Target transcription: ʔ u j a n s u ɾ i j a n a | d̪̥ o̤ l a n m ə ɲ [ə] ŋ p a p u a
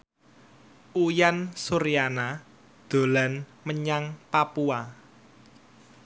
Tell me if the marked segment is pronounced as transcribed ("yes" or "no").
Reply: no